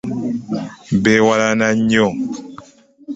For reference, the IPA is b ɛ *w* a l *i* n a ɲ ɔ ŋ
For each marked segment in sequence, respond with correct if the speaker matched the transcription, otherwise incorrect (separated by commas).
correct, incorrect